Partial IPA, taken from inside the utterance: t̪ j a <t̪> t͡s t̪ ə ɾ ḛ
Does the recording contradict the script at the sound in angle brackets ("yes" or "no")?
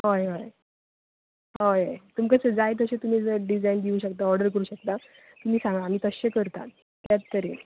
yes